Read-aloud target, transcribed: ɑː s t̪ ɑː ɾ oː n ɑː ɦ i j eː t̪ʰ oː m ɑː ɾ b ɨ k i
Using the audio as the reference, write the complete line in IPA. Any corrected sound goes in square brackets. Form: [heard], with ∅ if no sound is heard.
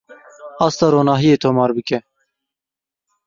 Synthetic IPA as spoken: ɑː s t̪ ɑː ɾ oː n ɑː ɦ i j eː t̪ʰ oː m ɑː ɾ b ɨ k [ɛ]